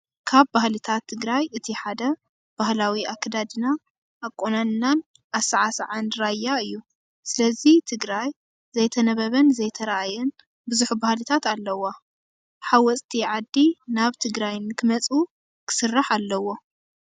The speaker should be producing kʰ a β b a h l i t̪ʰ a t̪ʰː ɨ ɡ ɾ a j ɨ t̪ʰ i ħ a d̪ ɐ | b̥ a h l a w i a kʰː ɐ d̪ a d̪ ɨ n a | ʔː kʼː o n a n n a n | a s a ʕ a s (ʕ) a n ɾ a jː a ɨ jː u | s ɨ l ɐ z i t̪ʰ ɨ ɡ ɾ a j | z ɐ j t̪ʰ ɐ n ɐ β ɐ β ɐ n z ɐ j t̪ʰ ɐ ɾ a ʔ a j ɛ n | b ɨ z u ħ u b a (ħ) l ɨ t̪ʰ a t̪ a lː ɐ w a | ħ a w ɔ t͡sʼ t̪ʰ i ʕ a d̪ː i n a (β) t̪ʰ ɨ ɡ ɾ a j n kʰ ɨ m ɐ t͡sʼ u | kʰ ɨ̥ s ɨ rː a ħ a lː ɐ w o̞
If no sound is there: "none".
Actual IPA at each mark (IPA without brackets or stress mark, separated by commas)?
ʕ, h, β